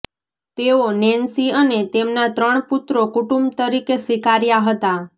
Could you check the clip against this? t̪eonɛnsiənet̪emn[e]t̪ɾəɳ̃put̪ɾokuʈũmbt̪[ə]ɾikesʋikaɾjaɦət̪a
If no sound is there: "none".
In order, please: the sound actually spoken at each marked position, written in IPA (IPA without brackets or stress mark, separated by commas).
a, ə